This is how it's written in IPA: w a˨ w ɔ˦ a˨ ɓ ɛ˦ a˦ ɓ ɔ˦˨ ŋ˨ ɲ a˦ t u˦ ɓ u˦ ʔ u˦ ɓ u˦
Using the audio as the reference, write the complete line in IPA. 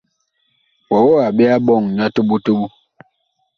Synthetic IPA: w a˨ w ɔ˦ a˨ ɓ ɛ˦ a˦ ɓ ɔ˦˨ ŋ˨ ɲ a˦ t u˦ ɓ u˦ t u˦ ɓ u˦